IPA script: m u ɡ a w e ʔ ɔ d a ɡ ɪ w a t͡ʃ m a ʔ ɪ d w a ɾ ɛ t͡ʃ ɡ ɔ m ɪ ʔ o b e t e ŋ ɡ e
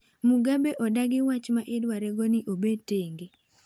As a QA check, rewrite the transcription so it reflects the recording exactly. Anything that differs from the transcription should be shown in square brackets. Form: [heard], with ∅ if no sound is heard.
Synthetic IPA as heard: m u ɡ a [b] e ʔ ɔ d a ɡ ɪ w a t͡ʃ m a ʔ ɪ d w a ɾ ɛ [∅] ɡ ɔ [n] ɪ ʔ o b e t e ŋ ɡ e

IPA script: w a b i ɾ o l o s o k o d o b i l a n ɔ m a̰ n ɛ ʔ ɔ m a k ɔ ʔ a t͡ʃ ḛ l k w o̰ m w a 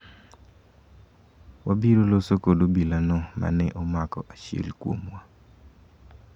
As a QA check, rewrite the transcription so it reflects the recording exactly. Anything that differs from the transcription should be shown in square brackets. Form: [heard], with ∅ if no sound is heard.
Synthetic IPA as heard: w a b i ɾ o l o s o k o d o b i l a n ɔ m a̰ n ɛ ʔ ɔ m a k ɔ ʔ a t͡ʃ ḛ l k w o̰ m w a

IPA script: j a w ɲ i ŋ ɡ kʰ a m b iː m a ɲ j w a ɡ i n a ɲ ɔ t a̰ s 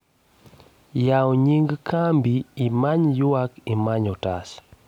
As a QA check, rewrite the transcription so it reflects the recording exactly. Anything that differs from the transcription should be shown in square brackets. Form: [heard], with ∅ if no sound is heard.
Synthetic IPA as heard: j a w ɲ i ŋ ɡ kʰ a m b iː m a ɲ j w a [k] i [m] a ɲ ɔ t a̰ s

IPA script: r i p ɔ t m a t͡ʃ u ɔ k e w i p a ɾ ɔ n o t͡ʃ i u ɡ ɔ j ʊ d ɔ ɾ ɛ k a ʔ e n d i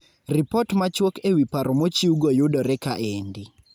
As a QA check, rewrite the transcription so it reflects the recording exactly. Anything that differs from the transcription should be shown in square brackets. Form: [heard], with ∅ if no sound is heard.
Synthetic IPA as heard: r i p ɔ t m a t͡ʃ [w] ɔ k e w i p a ɾ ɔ [m] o t͡ʃ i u ɡ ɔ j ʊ d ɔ ɾ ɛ k a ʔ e n d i

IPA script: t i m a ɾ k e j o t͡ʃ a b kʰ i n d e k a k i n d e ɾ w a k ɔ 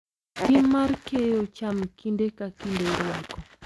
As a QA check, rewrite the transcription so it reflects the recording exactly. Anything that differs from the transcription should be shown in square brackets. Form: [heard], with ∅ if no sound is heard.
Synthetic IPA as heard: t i m a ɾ k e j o t͡ʃ a [m] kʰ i n d e k a k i n d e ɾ w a k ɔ

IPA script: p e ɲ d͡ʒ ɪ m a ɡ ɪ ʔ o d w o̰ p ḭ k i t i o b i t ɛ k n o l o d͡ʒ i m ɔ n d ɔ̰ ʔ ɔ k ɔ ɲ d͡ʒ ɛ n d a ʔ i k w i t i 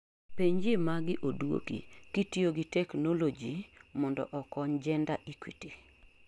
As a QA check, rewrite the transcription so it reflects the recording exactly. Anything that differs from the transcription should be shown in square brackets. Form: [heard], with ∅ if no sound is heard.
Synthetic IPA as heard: p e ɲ d͡ʒ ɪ m a ɡ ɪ ʔ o d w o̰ [k] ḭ k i t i o [ɡ] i t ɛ k n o l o d͡ʒ i m ɔ n d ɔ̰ ʔ ɔ k ɔ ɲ d͡ʒ ɛ n d a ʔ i k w i t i

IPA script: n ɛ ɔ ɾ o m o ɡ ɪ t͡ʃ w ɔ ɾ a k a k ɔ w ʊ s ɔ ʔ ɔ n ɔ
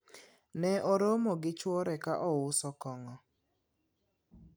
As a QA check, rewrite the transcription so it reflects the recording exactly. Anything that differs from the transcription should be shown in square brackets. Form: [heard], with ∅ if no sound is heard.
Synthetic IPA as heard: n ɛ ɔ ɾ o m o ɡ ɪ t͡ʃ w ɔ ɾ [ɛ] k a [ʔ] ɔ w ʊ s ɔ [k] ɔ [ŋ] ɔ

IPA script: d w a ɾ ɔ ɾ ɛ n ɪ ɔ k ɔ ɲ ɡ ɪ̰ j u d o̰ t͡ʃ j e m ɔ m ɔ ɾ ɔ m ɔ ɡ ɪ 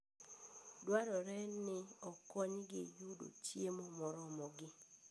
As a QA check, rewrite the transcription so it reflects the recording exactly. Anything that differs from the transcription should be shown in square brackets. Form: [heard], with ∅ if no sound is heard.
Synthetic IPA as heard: d w a ɾ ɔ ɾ ɛ n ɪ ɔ k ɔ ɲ ɡ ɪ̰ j u d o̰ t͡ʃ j e m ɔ m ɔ ɾ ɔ m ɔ ɡ ɪ

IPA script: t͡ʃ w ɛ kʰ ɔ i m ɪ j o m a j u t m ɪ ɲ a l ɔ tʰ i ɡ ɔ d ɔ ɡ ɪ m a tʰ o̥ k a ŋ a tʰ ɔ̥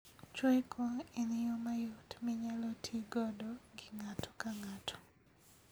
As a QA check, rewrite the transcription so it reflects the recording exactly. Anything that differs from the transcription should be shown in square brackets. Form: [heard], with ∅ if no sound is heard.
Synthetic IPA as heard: t͡ʃ w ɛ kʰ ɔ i [n] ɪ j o m a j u t m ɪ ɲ a l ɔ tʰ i ɡ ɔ d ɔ ɡ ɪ [ŋ] a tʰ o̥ k a ŋ a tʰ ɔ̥

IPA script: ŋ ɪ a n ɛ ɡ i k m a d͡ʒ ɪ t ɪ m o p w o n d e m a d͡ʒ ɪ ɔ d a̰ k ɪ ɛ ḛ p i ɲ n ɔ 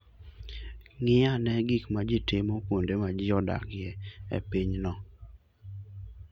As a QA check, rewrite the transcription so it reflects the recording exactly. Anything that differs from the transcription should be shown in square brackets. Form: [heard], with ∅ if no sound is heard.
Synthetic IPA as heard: ŋ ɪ a n ɛ ɡ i k m a d͡ʒ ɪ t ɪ m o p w o n d e m a d͡ʒ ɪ ɔ d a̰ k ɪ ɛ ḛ p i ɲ n ɔ

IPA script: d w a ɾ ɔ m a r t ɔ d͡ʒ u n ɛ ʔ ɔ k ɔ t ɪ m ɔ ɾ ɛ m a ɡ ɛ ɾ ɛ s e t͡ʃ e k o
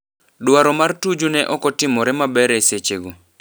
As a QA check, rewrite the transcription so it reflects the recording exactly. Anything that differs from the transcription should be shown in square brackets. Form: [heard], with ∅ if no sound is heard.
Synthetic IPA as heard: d w a ɾ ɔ m a r t [u] d͡ʒ u n ɛ ʔ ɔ k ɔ t ɪ m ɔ ɾ ɛ m a [b] ɛ ɾ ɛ s e t͡ʃ e [ɡ] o

